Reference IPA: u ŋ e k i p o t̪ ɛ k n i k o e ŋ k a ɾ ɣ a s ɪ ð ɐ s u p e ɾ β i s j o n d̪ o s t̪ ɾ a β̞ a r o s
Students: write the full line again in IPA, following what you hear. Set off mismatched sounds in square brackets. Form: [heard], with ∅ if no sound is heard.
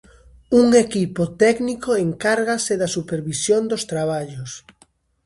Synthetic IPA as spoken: u ŋ e k i p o t̪ ɛ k n i k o e ŋ k a ɾ ɣ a s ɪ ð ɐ s u p e ɾ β i s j o n d̪ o s t̪ ɾ a β̞ a [ʎ] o s